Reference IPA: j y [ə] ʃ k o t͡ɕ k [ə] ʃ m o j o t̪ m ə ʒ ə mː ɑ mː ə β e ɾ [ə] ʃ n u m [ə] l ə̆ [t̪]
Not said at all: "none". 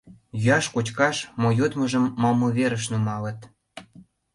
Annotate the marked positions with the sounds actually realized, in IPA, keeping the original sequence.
ɑ, ɑ, ə, ɑ, t̪

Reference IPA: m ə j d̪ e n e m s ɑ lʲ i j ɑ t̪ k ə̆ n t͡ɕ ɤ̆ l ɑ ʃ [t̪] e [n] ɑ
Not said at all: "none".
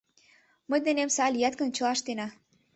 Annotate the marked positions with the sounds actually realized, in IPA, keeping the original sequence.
t̪, n

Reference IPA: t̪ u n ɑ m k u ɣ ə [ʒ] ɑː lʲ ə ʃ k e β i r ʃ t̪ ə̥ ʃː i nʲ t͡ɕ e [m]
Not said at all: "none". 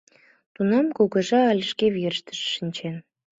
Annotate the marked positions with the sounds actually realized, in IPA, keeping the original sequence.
ʒ, n

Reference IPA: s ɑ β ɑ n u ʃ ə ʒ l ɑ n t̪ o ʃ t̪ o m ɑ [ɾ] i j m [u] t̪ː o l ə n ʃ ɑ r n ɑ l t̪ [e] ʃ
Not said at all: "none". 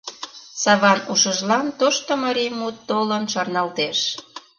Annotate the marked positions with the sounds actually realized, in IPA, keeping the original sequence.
ɾ, u, e

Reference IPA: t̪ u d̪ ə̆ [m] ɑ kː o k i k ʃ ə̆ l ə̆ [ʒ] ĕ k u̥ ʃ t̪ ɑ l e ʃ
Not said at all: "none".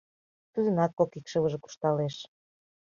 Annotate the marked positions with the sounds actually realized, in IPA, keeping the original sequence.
n, ʒ

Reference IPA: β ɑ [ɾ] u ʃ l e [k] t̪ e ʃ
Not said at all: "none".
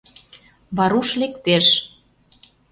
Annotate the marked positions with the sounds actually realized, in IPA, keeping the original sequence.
ɾ, k

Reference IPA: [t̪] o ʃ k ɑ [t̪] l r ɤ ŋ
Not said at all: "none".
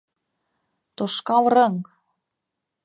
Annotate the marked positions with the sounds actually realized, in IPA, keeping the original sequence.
t̪, none

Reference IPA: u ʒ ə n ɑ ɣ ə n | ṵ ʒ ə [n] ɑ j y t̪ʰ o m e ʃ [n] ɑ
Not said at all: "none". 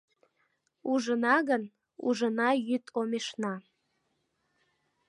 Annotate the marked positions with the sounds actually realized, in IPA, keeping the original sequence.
n, n

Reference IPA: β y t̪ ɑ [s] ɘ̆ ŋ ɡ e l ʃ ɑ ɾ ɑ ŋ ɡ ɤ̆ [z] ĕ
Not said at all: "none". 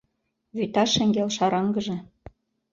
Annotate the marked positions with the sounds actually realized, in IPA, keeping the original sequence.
ʃ, ʒ

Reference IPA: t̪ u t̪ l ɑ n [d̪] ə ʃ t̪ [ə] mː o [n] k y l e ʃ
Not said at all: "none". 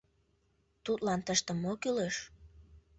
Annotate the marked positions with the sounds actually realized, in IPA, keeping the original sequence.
t̪, ə, none

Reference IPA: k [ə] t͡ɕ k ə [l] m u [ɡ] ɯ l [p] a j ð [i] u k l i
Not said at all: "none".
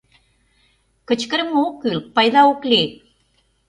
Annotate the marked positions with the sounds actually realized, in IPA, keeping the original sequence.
ə, ɾ, k, p, a

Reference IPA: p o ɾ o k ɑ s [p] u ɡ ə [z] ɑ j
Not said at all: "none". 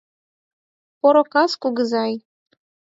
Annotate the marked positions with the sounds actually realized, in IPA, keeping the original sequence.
k, z

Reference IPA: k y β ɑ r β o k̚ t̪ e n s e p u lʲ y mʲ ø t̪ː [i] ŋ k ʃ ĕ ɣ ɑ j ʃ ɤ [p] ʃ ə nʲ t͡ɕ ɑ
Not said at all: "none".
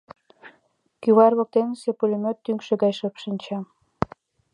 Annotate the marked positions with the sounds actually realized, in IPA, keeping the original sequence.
y, p

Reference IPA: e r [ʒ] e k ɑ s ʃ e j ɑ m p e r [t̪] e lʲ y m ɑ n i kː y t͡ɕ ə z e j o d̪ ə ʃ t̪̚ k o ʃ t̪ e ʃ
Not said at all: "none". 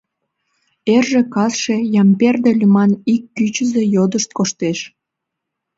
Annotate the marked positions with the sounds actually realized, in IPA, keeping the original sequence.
ʒ, d̪

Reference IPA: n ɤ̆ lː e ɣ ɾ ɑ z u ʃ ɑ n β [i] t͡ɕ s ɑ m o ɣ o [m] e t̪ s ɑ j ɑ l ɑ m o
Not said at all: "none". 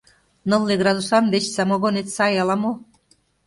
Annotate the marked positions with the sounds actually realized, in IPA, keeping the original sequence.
e, n

